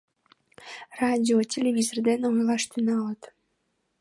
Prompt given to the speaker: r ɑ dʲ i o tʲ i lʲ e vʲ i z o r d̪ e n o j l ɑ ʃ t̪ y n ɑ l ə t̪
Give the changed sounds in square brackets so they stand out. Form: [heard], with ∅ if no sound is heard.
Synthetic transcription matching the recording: r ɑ dʲ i o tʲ [e] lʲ e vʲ i z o r d̪ e n o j l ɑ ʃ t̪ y n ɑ l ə t̪